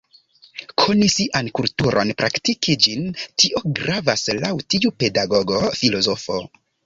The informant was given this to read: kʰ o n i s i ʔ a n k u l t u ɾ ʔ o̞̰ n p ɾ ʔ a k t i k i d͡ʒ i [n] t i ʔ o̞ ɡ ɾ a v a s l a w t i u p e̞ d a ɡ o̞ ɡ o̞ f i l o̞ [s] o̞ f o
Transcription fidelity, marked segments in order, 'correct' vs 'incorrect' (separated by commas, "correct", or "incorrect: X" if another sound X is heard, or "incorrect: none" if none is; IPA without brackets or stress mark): correct, incorrect: z